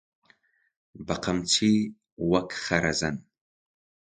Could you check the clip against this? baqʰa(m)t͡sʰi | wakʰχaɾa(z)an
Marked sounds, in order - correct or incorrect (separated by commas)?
correct, correct